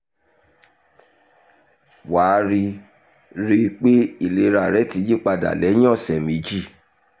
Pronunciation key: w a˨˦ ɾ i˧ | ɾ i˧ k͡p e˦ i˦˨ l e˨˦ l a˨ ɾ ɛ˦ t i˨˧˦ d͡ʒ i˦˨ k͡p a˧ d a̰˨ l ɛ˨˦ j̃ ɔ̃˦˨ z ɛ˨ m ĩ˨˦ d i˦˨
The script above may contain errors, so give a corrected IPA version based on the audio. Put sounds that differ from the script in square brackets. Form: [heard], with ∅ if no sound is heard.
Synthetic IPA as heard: w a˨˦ ɾ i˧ | ɾ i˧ k͡p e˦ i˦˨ l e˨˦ [ɾ] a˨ ɾ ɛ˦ t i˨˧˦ d͡ʒ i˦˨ k͡p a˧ d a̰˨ l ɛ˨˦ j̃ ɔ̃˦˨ [s] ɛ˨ m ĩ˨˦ [d͡ʒ] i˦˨